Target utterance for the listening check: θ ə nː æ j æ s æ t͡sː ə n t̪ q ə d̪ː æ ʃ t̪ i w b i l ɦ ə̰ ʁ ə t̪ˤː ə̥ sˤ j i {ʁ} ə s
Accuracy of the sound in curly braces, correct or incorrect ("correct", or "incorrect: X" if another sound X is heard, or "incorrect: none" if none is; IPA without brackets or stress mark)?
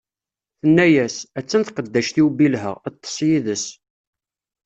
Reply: incorrect: ð